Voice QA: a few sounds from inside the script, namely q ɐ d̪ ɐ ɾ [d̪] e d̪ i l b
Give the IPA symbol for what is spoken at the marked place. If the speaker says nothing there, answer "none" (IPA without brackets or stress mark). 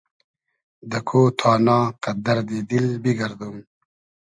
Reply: d̪